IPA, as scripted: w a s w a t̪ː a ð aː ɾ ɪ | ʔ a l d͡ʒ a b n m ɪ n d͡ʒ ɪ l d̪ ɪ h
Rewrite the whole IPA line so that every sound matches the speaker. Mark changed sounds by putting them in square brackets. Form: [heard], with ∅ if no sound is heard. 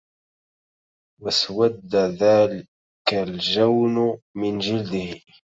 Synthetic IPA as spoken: w a s w a [d̪ː] a ð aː [l] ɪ | [k] a l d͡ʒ a [w] n m ɪ n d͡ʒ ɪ l d̪ ɪ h